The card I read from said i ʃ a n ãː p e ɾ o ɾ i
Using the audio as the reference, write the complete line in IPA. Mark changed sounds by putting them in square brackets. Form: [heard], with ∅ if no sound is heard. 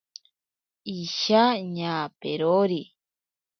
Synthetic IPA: i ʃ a [ɲ] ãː p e ɾ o ɾ i